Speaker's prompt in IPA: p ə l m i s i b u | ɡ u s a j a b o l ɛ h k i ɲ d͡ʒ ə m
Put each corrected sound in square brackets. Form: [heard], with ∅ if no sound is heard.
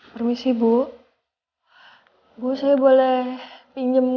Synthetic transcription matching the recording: p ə [r] m i s i b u | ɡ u s a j a b o l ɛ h [p] i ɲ d͡ʒ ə m